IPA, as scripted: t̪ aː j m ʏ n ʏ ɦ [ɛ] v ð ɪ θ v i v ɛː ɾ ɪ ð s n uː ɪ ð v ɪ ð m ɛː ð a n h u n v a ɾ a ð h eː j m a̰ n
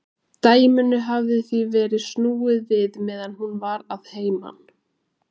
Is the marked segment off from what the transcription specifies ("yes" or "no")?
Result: yes